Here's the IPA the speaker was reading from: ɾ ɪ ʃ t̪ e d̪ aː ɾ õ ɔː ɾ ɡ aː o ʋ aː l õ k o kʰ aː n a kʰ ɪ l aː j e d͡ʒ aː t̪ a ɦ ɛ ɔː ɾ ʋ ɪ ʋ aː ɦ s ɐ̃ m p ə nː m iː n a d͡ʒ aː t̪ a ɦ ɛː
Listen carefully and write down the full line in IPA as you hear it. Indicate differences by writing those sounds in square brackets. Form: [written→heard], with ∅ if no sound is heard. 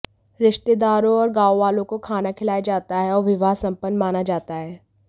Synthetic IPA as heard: ɾ ɪ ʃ t̪ e d̪ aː ɾ õ ɔː ɾ ɡ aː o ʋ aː l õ k o kʰ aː n a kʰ ɪ l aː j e d͡ʒ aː t̪ a ɦ ɛ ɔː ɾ ʋ ɪ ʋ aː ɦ s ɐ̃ m p ə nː m [iː→aː] n a d͡ʒ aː t̪ a ɦ ɛː